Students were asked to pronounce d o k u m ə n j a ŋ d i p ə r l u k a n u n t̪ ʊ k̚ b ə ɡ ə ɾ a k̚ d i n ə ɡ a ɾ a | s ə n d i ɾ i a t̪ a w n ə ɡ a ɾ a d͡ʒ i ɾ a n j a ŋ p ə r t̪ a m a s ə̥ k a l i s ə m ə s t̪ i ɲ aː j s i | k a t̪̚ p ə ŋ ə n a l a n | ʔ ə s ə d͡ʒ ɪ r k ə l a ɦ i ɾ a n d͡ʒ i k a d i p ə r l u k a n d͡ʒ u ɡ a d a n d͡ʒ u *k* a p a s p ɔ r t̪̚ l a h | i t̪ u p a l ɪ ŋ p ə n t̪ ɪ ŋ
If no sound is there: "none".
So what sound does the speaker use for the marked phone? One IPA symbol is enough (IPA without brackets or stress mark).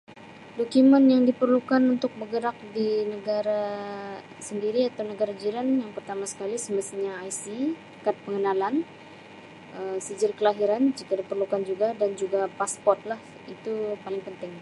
ɡ